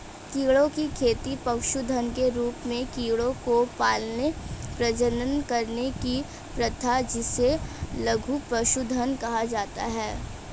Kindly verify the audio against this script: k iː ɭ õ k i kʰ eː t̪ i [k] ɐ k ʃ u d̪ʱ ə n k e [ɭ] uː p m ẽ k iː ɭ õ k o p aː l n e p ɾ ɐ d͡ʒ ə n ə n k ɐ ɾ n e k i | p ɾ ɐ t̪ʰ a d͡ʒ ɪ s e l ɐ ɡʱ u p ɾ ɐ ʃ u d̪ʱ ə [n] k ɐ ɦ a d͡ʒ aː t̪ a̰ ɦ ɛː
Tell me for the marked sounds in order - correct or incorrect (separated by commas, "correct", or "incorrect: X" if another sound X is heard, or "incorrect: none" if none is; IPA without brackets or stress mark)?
incorrect: p, incorrect: ɾ, correct